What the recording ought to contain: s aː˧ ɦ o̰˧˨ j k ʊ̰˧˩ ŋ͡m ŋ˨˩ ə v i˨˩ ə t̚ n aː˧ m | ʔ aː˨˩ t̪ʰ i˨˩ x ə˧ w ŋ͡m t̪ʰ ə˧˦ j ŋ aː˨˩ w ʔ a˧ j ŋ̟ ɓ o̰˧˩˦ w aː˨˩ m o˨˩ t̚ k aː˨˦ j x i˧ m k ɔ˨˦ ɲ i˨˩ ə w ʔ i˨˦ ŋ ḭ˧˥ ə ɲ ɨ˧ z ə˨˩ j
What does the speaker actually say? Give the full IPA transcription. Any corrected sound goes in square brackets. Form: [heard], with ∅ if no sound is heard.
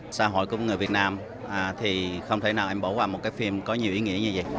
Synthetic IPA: s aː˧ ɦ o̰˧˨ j k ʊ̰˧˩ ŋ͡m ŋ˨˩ ə v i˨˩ ə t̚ n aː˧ m | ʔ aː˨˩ t̪ʰ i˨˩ x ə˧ w ŋ͡m t̪ʰ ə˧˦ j [n] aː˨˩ w ʔ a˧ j ŋ̟ ɓ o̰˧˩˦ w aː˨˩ m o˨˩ t̚ k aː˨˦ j [f] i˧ m k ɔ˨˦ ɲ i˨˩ ə w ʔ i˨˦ ŋ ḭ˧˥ ə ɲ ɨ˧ z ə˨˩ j